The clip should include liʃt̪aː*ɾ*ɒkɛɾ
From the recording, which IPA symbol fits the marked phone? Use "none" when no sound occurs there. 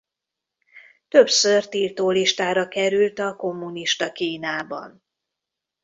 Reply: ɾ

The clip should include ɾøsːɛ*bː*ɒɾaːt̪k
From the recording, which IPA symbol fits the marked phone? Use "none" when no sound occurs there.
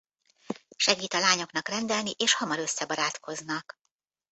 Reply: b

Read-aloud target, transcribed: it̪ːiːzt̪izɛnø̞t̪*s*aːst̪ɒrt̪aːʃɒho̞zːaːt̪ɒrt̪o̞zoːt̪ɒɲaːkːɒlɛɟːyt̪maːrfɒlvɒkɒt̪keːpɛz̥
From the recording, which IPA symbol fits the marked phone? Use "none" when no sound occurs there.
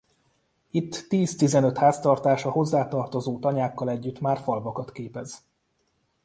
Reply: h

